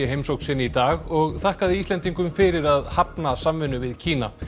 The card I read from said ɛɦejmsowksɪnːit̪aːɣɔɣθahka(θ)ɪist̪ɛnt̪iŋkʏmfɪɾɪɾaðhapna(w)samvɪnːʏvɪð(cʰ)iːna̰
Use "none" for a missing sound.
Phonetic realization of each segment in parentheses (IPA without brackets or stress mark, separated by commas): ð, none, cʰ